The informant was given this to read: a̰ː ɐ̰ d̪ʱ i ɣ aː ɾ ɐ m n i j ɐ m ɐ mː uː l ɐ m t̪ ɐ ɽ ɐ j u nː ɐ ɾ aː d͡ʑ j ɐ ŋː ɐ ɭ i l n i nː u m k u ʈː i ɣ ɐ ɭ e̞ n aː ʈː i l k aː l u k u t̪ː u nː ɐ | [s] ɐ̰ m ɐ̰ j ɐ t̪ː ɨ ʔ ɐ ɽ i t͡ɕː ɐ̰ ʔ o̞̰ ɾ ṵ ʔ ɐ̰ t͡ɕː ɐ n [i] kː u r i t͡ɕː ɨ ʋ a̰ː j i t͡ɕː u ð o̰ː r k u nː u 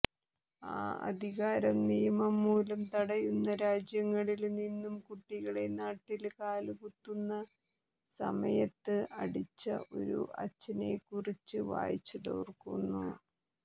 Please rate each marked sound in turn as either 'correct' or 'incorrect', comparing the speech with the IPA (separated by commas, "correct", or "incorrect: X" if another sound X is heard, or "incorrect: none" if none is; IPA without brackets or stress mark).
correct, incorrect: e